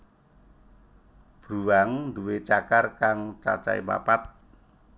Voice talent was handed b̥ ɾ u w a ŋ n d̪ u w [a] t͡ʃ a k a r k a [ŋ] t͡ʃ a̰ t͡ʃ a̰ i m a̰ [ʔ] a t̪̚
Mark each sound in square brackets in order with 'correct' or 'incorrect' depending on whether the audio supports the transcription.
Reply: incorrect: e, correct, incorrect: p

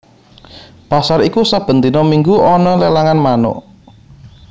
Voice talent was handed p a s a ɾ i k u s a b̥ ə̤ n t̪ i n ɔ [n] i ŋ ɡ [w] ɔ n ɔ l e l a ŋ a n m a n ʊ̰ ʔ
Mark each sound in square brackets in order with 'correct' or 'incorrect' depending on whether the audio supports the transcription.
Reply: incorrect: m, incorrect: u

